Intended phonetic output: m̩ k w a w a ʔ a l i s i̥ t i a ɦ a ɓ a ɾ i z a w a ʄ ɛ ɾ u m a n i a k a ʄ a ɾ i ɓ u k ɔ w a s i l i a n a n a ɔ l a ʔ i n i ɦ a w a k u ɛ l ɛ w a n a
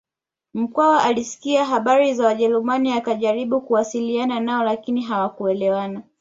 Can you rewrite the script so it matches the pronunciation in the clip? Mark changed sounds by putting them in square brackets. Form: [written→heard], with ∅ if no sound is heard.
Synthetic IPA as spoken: m̩ k w a w a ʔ a l i s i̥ [t→k] i a ɦ a ɓ a ɾ i z a w a ʄ ɛ ɾ u m a n i a k a ʄ a ɾ i ɓ u k [ɔ→u] w a s i l i a n a n a ɔ l a [ʔ→k] i n i ɦ a w a k u ɛ l ɛ w a n a